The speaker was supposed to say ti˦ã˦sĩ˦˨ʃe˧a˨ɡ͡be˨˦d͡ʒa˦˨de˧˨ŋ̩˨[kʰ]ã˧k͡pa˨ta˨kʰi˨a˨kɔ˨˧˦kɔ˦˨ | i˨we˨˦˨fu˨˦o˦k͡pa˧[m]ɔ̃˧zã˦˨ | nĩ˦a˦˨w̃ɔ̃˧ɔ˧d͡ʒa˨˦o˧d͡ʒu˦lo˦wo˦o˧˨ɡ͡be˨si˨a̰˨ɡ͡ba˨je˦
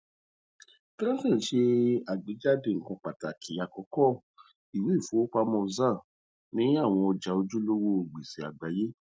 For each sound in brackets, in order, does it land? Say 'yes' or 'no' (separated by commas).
no, yes